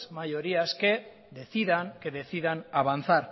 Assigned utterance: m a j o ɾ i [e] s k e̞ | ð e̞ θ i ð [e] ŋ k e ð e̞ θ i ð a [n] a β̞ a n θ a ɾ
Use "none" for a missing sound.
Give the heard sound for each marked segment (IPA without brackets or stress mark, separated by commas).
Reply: a, a, n